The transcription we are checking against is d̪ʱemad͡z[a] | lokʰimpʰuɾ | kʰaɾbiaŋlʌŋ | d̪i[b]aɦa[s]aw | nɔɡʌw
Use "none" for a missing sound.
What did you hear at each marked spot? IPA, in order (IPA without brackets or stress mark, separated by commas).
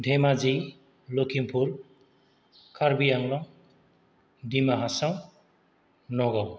i, m, s